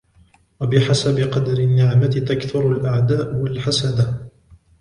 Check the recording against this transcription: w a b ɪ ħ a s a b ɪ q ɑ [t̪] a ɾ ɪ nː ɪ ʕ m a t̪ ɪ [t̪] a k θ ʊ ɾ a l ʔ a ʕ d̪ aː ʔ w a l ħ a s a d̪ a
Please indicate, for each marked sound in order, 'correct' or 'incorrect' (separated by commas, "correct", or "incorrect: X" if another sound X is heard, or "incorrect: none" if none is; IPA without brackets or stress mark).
incorrect: d̪, correct